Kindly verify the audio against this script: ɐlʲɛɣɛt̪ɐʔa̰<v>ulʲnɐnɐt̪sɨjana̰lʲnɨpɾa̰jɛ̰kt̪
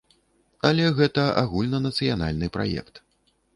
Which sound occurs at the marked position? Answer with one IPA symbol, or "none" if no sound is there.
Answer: ɣ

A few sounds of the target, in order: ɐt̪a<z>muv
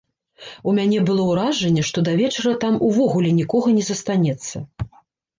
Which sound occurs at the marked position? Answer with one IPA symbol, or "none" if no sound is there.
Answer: none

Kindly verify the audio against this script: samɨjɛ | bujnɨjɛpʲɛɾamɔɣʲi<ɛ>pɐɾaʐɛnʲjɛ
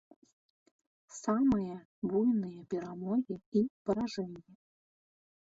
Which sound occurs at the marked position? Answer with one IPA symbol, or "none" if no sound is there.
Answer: i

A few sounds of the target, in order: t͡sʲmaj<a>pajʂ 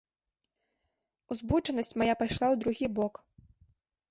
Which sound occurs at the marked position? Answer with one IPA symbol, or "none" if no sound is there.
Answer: a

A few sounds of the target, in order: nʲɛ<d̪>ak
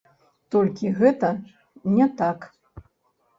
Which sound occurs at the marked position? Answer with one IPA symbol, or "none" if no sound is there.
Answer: t̪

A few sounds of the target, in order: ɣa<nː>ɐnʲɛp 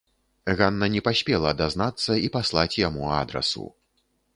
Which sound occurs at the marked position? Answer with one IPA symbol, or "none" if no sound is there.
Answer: nː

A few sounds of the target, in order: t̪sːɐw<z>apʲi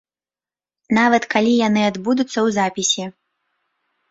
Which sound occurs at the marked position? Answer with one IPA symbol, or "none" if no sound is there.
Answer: z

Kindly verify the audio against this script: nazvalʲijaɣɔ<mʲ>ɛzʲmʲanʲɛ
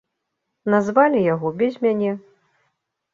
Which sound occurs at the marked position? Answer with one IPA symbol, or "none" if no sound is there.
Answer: bʲ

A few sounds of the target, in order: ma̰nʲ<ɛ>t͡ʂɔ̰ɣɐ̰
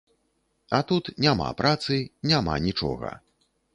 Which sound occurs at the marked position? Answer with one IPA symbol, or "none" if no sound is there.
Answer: i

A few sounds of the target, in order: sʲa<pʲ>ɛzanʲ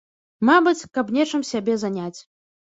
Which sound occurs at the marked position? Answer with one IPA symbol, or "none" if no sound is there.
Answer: bʲ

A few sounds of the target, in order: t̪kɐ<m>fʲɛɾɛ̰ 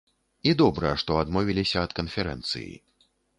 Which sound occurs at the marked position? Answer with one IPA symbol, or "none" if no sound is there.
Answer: n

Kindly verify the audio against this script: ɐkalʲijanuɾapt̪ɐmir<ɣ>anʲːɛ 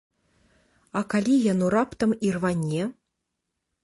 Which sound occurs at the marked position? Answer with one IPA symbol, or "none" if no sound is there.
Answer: v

